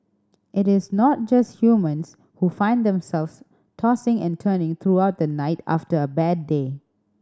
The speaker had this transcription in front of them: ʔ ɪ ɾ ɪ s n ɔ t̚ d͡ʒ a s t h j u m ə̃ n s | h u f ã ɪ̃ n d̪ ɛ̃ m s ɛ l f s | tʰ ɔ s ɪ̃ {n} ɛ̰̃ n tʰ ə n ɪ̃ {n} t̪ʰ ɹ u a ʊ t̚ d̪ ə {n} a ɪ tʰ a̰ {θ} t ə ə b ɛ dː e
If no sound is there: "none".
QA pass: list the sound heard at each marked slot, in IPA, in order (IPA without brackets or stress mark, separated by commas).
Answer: ŋ, ŋ, n, f